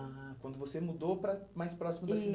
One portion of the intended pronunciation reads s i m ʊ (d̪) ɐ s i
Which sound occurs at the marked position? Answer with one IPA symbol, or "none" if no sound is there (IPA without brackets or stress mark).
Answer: d̪